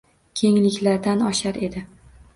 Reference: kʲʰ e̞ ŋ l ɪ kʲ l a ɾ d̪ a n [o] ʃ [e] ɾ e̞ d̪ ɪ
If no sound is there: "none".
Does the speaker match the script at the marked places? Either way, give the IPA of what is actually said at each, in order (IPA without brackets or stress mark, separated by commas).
ɒ, a